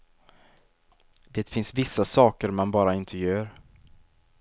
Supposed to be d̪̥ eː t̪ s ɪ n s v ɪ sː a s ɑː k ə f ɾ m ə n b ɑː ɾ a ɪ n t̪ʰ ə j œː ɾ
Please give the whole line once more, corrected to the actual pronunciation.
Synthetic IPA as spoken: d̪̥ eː t̪ f ɪ n s v ɪ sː a s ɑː k ə ɾ m a n b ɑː ɾ a ɪ n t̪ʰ ə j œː ɾ